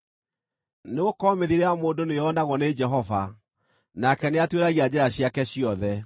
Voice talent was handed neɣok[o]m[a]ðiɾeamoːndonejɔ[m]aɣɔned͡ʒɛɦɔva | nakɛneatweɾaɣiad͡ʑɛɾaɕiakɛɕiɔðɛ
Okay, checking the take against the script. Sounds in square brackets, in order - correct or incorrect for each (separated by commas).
incorrect, incorrect, incorrect